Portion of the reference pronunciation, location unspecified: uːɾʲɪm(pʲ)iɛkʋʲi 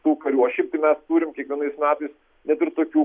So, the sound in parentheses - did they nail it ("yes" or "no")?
no